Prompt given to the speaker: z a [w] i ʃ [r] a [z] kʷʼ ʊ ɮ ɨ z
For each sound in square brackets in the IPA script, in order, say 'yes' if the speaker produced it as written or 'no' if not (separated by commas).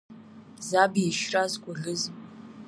no, yes, yes